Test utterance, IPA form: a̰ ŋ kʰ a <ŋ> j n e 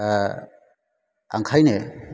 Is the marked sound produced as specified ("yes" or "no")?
no